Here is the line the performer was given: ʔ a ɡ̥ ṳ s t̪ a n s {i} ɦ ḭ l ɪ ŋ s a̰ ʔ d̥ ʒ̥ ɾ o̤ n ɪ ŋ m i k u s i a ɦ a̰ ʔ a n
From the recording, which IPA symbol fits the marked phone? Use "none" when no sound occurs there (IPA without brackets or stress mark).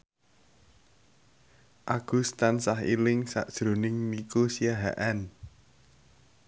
a